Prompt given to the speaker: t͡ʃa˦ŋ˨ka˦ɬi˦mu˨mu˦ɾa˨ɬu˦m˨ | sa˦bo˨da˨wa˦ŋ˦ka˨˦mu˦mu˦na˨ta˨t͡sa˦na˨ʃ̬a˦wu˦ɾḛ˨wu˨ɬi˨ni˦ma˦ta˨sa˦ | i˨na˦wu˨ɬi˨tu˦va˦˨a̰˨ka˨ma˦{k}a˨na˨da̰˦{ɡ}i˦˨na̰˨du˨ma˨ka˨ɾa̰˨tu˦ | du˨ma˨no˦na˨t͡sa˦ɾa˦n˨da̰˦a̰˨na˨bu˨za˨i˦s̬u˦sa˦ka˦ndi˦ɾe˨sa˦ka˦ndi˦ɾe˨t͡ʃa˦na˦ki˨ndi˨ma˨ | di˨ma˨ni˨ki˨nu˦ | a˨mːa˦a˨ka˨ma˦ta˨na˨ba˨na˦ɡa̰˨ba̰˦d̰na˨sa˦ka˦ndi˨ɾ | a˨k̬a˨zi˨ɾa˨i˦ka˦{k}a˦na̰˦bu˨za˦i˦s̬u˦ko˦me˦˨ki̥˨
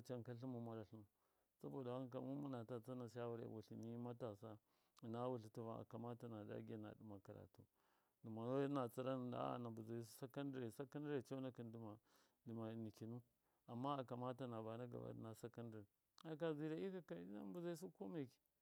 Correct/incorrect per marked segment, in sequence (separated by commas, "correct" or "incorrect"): incorrect, correct, correct